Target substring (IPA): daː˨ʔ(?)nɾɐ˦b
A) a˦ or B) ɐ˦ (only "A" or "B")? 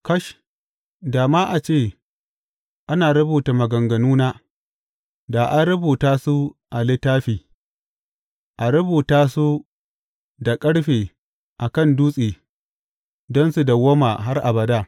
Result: A